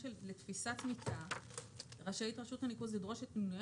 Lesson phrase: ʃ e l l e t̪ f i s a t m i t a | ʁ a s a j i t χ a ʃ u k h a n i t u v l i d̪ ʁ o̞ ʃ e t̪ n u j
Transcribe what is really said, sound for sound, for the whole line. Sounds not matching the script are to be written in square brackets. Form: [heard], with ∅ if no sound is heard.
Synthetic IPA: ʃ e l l e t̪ f i s a t m i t a | ʁ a [ʃ] a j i t [ʁ] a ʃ u [t] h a n i [k] u [z] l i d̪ ʁ o̞ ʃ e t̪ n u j